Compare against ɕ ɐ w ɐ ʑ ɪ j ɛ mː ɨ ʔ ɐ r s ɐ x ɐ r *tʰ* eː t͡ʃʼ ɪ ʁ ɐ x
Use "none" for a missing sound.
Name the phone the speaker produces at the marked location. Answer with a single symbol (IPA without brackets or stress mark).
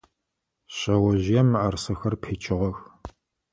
pʰ